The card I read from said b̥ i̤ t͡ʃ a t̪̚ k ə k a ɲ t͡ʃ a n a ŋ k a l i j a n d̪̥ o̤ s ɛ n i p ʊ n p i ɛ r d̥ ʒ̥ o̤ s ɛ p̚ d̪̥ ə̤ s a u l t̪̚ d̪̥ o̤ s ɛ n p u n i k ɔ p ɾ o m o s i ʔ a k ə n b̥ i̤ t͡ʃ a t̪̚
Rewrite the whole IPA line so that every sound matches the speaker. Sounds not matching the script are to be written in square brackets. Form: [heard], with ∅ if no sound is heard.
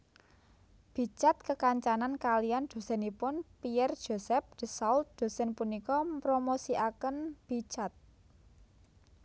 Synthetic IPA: b̥ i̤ t͡ʃ a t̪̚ k ə k a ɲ t͡ʃ a n a [n] k a l i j a n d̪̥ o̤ s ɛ n i p ʊ n p i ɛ r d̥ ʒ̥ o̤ s ɛ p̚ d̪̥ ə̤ s a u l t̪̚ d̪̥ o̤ s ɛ n p u n i k ɔ p ɾ o m o s i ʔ a k ə n b̥ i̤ t͡ʃ a t̪̚

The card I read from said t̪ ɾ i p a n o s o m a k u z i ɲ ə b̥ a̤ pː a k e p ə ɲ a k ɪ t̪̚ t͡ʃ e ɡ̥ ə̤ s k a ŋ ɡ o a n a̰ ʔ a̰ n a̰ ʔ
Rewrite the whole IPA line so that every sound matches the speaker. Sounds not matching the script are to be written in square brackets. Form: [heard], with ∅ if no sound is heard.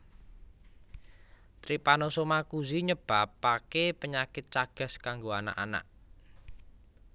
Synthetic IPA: t̪ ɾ i p a n o s o m a k u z i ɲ ə b̥ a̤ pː a k e p ə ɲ a k ɪ t̪̚ t͡ʃ [a] ɡ̥ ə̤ s k a ŋ ɡ o a n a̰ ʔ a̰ n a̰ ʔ

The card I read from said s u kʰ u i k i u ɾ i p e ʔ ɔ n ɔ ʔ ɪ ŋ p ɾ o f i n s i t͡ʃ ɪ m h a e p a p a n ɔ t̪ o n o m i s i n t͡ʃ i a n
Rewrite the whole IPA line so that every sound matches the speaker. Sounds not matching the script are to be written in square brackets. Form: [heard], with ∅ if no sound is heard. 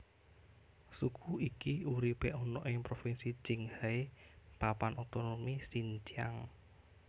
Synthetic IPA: s u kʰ u i k i u ɾ i p e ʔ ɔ n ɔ ʔ ɪ ŋ p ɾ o f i n s i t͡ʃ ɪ [ŋ] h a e p a p a n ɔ t̪ o n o m i s i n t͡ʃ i a [ŋ]

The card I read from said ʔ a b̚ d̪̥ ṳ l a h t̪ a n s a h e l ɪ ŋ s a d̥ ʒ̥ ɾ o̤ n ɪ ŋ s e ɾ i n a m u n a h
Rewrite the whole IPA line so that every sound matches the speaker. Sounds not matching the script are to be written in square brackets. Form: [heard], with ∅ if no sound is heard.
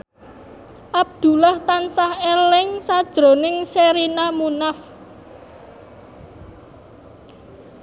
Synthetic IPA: ʔ a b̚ d̪̥ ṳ l a h t̪ a n s a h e l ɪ ŋ s a d̥ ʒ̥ ɾ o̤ n ɪ ŋ s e ɾ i n a m u n a [f]

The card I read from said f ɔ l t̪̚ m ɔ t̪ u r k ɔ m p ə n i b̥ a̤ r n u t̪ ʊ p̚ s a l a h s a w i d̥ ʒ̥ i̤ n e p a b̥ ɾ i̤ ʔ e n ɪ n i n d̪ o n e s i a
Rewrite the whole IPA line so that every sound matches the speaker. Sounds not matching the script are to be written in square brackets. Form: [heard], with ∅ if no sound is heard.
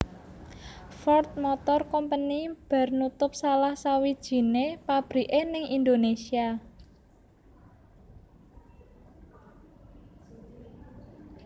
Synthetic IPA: f ɔ [r] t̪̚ m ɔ t̪ [ɔ] r k ɔ m p ə n i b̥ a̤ r n u t̪ ʊ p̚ s a l a h s a w i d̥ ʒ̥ i̤ n e p a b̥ ɾ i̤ ʔ e n ɪ [ŋ] i n d̪ o n e s i a

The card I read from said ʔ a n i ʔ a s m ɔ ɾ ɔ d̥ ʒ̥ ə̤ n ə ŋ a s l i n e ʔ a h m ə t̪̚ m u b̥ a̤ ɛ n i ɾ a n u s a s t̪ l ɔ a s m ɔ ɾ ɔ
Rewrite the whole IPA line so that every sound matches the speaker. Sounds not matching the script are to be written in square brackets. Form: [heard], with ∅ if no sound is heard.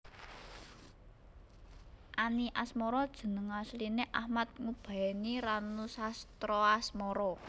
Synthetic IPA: ʔ a n i ʔ a s m ɔ ɾ ɔ d̥ ʒ̥ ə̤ n ə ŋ a s l i n e ʔ a h m [a] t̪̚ [ŋ] u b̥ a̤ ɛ n i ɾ a n u s a s t̪ [ɾ] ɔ a s m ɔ ɾ ɔ

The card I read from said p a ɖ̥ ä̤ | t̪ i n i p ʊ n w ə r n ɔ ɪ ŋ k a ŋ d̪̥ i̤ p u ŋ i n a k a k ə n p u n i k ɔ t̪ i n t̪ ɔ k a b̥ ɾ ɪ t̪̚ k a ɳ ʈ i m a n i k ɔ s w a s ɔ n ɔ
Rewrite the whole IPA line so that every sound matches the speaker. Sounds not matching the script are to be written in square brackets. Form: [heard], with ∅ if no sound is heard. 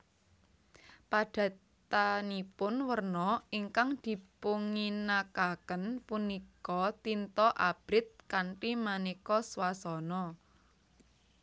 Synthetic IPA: p a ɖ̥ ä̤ | t̪ [a] n i p ʊ n w ə r n ɔ [i] ŋ k a ŋ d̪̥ i̤ p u ŋ i n a k a k ə n p u n i k ɔ t̪ i n t̪ ɔ [ʔ] a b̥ ɾ ɪ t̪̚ k a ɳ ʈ i m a n i k ɔ s w a s ɔ n ɔ

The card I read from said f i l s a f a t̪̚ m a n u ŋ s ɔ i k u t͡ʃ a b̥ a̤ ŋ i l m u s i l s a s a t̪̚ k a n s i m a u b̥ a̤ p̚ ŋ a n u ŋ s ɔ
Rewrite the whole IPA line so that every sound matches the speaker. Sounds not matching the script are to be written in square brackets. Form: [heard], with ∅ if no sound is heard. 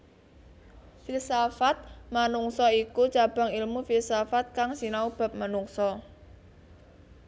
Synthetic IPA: f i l s a f a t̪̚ m a n u ŋ s ɔ i k u t͡ʃ a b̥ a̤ ŋ i l m u [f] i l s a [f] a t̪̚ k a [ŋ] s i [n] a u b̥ a̤ p̚ [m] a n u ŋ s ɔ

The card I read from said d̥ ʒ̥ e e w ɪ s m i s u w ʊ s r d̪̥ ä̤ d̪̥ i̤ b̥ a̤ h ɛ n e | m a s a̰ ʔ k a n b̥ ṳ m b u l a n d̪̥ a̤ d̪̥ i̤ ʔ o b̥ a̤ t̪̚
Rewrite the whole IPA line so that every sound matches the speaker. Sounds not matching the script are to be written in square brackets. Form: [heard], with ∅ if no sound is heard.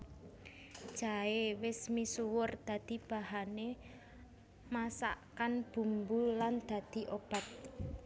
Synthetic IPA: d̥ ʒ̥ [a] e w ɪ s m i s u w ʊ [∅] r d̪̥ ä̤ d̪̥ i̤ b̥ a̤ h [a] n e | m a s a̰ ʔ k a n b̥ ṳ m b u l a n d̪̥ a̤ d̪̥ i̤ ʔ o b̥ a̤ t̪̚

